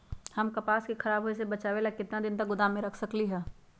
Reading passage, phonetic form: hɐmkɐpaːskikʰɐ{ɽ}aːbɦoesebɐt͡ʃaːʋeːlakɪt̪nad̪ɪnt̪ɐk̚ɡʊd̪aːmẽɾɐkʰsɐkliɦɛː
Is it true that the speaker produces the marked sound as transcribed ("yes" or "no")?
no